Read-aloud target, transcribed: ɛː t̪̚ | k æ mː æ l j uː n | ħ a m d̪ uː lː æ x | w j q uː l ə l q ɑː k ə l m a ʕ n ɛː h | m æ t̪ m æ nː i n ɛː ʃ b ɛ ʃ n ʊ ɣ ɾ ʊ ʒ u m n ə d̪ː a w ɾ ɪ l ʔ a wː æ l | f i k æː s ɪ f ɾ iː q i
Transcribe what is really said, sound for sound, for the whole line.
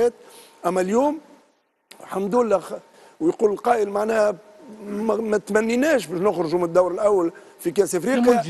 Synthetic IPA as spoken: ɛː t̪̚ | ʔ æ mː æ l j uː m | ħ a m d̪ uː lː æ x | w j q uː l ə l q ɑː ʔ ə l m a ʕ n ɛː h | m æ t̪ m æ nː i n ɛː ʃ b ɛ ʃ n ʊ x ɾ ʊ ʒ u m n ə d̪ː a w ɾ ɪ l ʔ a wː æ l | f i k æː s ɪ f ɾ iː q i